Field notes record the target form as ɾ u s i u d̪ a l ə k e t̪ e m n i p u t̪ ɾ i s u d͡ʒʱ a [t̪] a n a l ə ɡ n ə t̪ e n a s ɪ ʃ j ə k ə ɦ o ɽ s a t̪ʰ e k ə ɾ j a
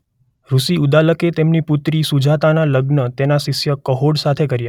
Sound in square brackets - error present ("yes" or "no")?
no